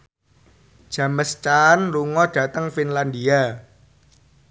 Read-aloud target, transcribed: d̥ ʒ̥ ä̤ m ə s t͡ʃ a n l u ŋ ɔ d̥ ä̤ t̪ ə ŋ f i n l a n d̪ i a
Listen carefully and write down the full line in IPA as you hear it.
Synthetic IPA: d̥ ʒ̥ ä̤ m ə s t͡ʃ a n l u ŋ ɔ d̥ ä̤ t̪ ə ŋ f i n l a n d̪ i a